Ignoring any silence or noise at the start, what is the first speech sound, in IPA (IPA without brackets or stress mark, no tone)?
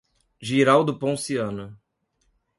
ʒ